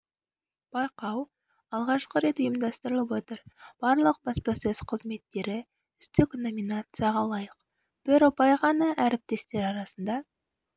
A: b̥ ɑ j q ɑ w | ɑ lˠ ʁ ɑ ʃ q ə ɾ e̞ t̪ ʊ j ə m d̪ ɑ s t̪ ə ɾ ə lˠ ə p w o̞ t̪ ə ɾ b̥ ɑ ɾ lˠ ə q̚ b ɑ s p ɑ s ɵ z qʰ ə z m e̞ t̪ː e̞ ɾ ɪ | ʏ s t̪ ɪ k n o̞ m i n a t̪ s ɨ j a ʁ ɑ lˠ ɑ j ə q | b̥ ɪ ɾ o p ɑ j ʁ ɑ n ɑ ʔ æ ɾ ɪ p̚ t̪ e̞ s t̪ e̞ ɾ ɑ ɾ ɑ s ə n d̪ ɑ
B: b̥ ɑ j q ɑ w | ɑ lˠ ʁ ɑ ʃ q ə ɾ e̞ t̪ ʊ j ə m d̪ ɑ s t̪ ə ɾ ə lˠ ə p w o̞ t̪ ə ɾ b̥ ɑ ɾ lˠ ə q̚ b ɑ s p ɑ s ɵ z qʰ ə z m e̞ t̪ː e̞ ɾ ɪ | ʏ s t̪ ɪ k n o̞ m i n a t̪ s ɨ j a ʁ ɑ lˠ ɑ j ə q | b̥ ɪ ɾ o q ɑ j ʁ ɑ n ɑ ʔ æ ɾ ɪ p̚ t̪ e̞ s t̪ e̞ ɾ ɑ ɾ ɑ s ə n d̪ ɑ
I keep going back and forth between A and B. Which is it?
A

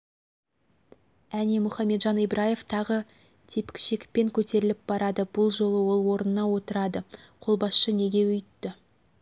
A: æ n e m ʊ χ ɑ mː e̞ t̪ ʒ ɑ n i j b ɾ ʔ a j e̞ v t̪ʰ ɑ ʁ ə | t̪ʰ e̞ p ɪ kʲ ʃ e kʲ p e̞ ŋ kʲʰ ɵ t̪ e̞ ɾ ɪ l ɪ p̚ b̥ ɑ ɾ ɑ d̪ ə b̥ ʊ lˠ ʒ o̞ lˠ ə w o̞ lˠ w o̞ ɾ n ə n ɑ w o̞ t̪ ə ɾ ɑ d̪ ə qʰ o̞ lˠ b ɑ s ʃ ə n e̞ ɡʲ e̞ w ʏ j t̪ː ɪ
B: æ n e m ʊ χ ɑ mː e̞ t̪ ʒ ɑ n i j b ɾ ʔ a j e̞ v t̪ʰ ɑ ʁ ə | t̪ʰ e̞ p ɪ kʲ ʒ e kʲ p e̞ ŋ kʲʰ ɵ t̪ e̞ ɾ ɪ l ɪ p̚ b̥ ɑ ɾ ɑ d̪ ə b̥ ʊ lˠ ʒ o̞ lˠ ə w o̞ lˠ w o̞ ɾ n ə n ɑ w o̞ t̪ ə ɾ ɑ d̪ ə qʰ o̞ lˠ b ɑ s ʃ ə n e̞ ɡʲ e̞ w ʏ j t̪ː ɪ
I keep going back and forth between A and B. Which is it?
A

